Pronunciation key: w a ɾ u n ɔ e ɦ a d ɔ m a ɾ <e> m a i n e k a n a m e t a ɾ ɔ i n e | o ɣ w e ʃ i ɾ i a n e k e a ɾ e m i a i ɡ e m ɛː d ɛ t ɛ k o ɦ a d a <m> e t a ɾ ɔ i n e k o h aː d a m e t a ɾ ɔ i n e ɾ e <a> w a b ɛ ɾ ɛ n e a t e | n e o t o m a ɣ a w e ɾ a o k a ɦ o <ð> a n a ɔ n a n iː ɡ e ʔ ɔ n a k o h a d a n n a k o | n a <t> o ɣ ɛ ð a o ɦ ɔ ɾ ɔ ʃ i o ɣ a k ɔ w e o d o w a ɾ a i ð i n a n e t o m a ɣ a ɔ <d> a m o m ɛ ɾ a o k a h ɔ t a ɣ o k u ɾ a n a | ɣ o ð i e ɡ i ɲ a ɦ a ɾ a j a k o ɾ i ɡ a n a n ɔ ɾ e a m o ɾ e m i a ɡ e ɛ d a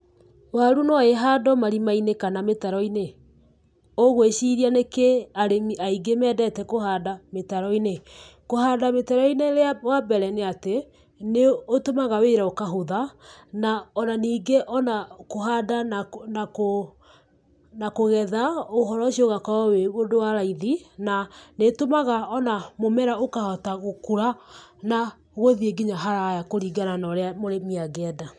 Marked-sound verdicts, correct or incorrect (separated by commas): incorrect, correct, correct, correct, incorrect, incorrect